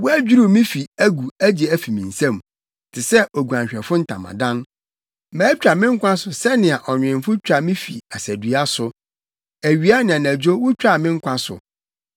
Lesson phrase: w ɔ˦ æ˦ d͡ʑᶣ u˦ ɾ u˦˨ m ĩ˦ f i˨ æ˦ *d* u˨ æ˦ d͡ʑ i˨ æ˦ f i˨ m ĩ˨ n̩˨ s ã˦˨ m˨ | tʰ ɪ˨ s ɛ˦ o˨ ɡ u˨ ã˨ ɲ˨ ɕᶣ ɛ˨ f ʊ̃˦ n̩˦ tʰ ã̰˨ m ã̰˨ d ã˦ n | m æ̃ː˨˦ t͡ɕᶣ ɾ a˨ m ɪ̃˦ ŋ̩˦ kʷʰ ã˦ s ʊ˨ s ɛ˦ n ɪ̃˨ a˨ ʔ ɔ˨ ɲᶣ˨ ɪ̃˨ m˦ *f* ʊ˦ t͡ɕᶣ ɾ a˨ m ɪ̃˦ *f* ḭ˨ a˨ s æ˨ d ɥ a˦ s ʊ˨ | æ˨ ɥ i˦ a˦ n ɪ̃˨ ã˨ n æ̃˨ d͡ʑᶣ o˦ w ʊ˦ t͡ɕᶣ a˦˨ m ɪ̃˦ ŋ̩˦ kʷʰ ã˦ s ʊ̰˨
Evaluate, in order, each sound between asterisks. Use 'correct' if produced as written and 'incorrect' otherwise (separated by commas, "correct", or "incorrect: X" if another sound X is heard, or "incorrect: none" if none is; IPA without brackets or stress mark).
incorrect: ɡ, correct, correct